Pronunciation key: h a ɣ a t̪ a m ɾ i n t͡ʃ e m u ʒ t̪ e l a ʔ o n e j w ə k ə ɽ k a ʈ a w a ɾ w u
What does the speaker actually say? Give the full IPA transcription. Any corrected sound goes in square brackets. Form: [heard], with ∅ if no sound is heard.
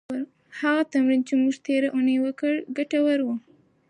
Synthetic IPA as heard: h a ɣ a t̪ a m ɾ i n t͡ʃ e m u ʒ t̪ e [ɾ] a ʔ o n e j w ə k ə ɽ [ɡ] a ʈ a w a ɾ w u